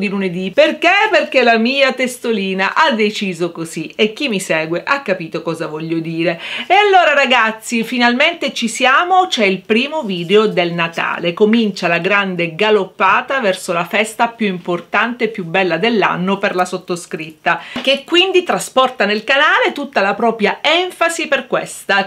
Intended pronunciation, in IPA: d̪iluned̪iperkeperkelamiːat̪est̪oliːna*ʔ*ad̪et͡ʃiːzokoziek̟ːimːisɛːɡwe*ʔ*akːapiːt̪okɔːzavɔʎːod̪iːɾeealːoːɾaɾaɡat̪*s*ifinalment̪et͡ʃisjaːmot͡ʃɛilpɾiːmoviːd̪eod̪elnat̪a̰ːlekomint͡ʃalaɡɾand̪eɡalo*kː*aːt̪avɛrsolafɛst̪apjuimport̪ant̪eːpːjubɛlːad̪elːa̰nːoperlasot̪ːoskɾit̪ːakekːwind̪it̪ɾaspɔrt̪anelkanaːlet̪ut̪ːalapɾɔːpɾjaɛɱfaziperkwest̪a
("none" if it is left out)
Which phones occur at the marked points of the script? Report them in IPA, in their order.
ʔ, ʔ, sː, pː

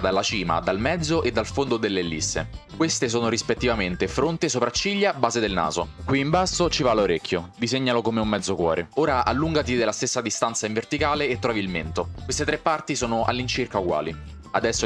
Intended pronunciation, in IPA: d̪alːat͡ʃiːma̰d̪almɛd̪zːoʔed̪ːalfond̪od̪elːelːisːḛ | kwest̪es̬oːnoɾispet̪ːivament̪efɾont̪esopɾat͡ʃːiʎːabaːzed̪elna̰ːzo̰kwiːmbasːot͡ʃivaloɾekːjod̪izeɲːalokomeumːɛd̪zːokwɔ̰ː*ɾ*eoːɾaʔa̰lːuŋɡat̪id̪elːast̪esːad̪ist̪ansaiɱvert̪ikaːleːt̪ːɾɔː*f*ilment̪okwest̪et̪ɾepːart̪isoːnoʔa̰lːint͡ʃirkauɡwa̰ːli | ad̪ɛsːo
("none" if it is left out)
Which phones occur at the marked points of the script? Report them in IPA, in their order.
ɾ, v

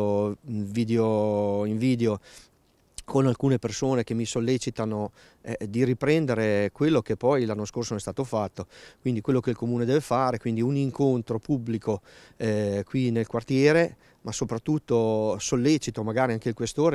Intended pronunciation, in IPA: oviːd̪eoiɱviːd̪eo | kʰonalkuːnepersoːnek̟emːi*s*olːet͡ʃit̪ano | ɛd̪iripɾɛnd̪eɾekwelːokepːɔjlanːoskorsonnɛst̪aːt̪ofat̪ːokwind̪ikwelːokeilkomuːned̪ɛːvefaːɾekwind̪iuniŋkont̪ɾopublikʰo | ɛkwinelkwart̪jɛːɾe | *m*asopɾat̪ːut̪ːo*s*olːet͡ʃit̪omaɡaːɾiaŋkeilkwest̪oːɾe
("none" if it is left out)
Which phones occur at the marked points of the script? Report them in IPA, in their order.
s, m, s

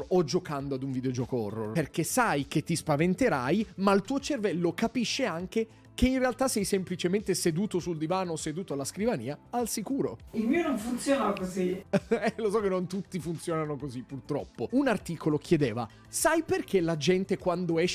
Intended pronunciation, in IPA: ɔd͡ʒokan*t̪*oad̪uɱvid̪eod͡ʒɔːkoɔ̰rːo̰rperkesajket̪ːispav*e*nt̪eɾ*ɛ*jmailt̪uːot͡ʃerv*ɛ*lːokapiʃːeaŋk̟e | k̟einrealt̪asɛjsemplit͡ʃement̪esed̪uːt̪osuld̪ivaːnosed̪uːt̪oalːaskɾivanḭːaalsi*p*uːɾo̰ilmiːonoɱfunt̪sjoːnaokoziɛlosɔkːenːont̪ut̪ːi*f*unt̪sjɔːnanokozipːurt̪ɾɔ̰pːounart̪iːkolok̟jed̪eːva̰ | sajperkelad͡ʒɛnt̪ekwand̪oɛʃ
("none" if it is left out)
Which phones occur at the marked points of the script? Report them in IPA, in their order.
d̪, e, a, ɛ, k, f

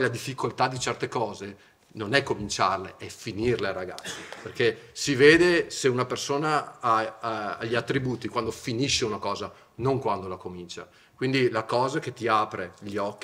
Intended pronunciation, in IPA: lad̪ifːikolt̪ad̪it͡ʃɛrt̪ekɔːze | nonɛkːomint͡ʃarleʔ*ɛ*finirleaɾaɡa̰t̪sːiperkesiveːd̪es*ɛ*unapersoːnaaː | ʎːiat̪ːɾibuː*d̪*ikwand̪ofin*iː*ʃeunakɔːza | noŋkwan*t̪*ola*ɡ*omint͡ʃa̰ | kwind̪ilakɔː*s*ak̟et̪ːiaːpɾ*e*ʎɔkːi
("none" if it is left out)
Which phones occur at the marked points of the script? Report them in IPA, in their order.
ɛ, e, t̪, i, d̪, k, z, e

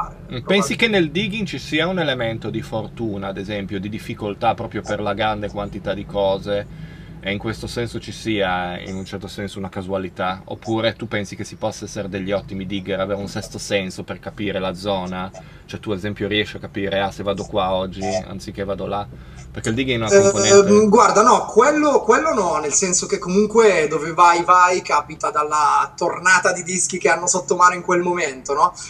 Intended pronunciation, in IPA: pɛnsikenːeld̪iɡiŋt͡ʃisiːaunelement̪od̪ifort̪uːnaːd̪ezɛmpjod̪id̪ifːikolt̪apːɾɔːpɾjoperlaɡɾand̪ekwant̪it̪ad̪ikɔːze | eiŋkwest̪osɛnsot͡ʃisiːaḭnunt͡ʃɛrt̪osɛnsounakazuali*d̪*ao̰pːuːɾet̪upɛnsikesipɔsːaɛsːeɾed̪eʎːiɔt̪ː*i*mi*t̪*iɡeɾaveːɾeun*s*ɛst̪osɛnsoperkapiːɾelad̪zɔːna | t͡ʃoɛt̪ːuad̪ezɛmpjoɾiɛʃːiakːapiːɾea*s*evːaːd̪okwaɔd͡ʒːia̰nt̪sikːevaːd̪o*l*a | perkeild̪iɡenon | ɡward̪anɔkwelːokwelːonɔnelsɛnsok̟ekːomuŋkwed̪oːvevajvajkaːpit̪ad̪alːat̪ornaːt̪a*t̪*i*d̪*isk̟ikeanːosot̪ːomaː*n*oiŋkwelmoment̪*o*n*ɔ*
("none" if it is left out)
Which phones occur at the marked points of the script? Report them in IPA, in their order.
t̪, i, d̪, s, s, l, d̪, d̪, n, o, ɔ

